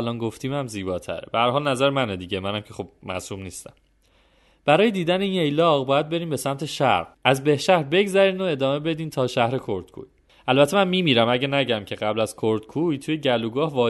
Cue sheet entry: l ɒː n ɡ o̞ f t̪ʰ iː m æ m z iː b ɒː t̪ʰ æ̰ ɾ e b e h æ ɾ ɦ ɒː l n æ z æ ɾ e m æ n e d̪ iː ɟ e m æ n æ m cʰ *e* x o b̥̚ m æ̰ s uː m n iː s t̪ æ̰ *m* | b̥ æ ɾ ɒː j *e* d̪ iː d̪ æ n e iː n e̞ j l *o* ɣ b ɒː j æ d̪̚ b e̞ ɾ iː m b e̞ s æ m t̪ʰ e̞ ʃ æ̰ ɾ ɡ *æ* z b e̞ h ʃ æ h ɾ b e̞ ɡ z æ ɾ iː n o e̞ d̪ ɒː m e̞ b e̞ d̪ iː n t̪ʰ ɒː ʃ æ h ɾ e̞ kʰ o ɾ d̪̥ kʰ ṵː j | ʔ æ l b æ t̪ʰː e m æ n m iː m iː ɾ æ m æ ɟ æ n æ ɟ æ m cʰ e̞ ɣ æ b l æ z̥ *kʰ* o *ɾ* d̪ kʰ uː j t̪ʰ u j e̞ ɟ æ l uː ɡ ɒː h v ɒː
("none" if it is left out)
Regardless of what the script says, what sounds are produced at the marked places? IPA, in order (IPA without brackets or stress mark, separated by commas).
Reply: e, m, e, ɒ, æ, kʰ, ɾ